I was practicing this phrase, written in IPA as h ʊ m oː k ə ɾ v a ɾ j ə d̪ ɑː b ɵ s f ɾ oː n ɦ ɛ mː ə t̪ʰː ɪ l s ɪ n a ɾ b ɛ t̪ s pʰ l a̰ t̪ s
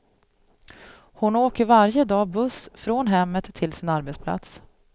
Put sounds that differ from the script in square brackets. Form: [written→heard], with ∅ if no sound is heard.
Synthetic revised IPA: h ʊ [m→n] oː k ə ɾ v a ɾ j ə d̪ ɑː b ɵ s f ɾ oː n ɦ ɛ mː ə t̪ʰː ɪ l s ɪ n a ɾ b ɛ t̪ s pʰ l a̰ t̪ s